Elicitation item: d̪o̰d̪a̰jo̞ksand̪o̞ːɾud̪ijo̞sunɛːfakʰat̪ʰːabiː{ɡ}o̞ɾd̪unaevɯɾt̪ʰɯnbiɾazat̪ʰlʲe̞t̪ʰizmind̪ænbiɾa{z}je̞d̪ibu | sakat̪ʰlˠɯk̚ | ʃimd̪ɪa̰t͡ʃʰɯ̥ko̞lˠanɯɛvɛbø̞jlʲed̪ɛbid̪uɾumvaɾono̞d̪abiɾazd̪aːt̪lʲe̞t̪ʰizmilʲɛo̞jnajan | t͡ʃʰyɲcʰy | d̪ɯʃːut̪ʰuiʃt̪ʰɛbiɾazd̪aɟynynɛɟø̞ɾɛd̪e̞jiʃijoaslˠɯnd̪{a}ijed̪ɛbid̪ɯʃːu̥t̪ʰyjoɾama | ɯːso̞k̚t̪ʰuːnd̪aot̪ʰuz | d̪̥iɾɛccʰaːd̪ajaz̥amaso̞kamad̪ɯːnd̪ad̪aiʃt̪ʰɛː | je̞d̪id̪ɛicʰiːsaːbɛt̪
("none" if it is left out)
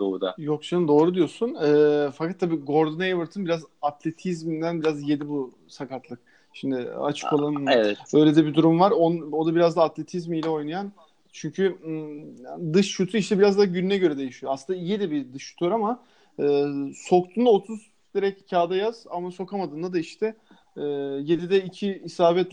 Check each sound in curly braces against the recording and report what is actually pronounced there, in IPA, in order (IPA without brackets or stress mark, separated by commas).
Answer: ɡ, z, a